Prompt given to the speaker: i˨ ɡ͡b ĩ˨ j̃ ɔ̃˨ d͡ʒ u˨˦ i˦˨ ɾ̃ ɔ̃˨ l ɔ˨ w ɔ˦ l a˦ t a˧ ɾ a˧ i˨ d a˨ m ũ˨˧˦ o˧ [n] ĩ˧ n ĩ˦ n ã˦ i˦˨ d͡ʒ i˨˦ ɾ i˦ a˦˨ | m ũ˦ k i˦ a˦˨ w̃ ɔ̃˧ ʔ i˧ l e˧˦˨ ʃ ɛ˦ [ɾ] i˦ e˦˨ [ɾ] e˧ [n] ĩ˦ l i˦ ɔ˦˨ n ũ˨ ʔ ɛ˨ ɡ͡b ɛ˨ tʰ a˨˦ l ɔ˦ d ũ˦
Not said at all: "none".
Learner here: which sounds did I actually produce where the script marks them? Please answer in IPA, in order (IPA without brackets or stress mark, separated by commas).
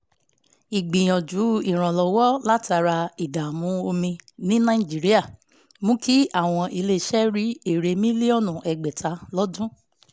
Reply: m, ɾ, ɾ, m